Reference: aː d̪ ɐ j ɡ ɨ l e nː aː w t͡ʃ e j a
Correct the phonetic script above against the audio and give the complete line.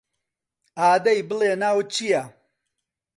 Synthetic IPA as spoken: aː d̪ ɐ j b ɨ l e n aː w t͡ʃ i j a